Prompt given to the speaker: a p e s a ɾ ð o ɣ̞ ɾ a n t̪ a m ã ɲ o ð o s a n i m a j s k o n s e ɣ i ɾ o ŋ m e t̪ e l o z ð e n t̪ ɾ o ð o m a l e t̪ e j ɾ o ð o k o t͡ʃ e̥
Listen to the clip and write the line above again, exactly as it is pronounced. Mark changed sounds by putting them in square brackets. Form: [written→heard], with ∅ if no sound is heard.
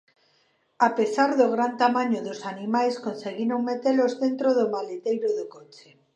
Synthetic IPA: a p e s a ɾ ð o ɣ̞ ɾ a n t̪ a m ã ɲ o ð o s a n i m a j s k o n s e ɣ i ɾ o ŋ m e t̪ e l o z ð e n t̪ ɾ o ð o m a l e t̪ e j ɾ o ð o k o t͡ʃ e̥